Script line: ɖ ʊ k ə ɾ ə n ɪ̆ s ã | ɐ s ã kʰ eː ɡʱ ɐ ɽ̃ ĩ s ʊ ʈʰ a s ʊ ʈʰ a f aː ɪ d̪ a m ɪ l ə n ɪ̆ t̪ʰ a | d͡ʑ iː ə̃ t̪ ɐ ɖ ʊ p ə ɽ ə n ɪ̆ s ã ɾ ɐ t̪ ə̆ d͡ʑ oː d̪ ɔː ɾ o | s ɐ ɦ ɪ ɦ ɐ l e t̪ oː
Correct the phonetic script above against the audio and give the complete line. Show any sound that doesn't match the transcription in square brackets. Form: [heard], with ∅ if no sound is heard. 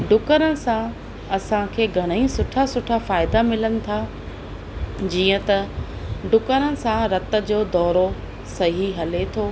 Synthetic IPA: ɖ ʊ k ə ɾ ə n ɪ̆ s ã | ɐ s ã kʰ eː ɡʱ ɐ ɽ̃ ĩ s ʊ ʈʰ a s ʊ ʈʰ a f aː ɪ d̪ a m ɪ l ə n ɪ̆ t̪ʰ a | d͡ʑ iː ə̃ t̪ ɐ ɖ ʊ [k] ə [ɾ] ə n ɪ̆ s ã ɾ ɐ t̪ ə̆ d͡ʑ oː d̪ ɔː ɾ o | s ɐ ɦ [i] ɦ ɐ l e [t̪ʰ] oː

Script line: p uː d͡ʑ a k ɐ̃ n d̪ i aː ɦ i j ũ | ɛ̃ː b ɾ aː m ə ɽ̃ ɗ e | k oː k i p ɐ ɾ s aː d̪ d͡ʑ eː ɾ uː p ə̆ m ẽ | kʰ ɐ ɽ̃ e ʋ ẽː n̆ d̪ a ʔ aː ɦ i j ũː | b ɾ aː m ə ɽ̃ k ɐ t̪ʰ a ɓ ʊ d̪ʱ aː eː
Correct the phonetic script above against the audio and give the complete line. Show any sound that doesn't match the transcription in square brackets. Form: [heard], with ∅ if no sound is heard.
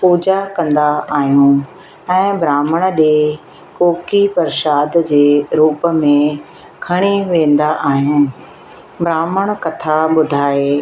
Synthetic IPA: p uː d͡ʑ a k ɐ̃ n d̪ [a] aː ɦ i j ũ | ɛ̃ː b ɾ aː m ə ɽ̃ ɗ e | k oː k i p ɐ ɾ [ʃ] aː d̪ d͡ʑ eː ɾ uː p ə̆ m ẽ | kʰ ɐ ɽ̃ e ʋ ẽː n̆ d̪ a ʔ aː ɦ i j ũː | b ɾ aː m ə ɽ̃ k ɐ t̪ʰ a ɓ ʊ d̪ʱ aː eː

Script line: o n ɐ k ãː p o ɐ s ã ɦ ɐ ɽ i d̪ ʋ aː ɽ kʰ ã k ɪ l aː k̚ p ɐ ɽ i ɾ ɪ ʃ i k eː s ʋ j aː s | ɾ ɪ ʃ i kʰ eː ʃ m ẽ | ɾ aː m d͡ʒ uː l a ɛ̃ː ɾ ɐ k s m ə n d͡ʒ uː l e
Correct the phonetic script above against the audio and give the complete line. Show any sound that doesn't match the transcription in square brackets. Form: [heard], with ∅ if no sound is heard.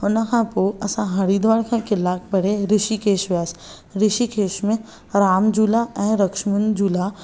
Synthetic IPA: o n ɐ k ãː p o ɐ s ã ɦ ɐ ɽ i d̪ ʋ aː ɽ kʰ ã k ɪ l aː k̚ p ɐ ɽ [e] ɾ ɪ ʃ i k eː [ʃ] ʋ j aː s | ɾ ɪ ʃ i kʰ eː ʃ m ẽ | ɾ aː m d͡ʒ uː l a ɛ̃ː ɾ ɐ k [ʃ] m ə n d͡ʒ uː l [a]

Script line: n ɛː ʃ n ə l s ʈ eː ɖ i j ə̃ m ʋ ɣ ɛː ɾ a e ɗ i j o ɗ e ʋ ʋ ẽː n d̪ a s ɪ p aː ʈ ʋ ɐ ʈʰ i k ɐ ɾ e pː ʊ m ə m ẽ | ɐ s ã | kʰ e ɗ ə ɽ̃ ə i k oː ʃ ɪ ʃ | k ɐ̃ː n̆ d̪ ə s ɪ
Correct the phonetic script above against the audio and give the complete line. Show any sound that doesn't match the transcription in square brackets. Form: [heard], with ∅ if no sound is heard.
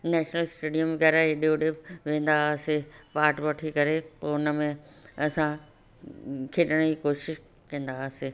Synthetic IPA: n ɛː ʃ n ə l s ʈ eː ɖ i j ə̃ m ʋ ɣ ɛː ɾ a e ɗ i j o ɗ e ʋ ʋ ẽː n d̪ a s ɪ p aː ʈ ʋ ɐ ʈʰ i k ɐ ɾ e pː ʊ [n] ə m ẽ | ɐ s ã | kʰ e ɗ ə ɽ̃ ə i k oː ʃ ɪ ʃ | k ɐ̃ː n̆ d̪ [a] s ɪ

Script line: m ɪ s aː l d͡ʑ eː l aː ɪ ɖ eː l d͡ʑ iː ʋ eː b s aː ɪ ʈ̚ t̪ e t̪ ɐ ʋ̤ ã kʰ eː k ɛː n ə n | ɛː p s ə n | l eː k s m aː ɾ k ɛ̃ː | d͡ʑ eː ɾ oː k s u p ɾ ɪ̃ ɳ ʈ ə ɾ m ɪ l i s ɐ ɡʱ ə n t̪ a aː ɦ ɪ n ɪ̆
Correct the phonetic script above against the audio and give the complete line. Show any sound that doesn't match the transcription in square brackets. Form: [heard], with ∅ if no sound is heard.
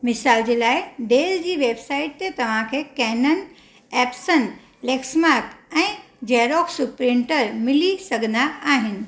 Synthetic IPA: m ɪ s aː l d͡ʑ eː l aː ɪ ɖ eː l d͡ʑ iː ʋ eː b s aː ɪ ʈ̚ t̪ e t̪ ɐ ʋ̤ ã kʰ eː k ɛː n ə n | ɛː p s ə n | l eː k s m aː ɾ k ɛ̃ː | d͡ʑ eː ɾ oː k s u p ɾ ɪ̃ ɳ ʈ ə ɾ m ɪ l i s ɐ ɡʱ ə n [d̪] a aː ɦ ɪ n ɪ̆

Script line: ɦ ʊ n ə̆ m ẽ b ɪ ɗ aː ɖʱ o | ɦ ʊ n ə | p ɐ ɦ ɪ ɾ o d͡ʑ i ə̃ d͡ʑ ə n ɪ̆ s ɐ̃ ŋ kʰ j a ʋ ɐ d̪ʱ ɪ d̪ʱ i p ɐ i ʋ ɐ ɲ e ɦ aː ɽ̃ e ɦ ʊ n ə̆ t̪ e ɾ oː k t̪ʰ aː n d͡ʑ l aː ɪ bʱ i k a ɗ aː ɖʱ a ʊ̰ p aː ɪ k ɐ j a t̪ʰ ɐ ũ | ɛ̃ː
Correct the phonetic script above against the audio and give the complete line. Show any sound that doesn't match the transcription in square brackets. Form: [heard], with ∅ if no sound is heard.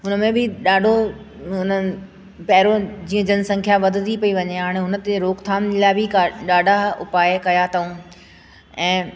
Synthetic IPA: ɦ ʊ n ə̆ m ẽ b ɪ ɗ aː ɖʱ o | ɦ ʊ n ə | p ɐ ɦ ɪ ɾ o d͡ʑ [iː] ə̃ d͡ʑ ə n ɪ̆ s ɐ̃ ŋ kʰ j a ʋ ɐ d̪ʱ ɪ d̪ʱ i p ɐ i ʋ ɐ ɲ e ɦ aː ɽ̃ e ɦ ʊ n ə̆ t̪ e ɾ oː k t̪ʰ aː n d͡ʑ l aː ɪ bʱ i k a ɗ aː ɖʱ a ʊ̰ p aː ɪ k ɐ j a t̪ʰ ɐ ũ | ɛ̃ː

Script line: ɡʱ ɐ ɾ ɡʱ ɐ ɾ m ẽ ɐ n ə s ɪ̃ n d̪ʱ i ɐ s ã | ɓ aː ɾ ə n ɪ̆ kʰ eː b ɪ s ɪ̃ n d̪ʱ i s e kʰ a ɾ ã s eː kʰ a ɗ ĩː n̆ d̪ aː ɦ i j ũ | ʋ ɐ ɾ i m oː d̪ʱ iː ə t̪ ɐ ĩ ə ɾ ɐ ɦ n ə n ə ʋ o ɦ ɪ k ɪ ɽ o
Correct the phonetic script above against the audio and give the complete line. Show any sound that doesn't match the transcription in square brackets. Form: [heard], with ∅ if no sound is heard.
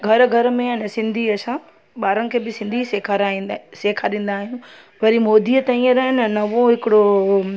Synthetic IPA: ɡʱ ɐ ɾ ɡʱ ɐ ɾ m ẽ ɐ n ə s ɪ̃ n d̪ʱ i ɐ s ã | ɓ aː ɾ ə n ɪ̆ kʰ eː b ɪ s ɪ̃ n d̪ʱ i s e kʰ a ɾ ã s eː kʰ a ɗ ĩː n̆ d̪ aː ɦ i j ũ | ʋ ɐ ɾ i m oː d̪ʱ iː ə t̪ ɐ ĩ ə ɾ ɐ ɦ n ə n [ɐ] ʋ o ɦ ɪ k ɪ ɽ o

